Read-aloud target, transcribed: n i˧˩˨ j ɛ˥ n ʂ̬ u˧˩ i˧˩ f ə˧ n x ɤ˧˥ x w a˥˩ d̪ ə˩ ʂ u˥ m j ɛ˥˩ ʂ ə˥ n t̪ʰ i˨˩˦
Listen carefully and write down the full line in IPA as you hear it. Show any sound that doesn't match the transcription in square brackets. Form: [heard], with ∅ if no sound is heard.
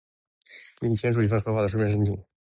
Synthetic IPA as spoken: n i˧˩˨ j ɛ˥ n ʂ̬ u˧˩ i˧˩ f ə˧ n x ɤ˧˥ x w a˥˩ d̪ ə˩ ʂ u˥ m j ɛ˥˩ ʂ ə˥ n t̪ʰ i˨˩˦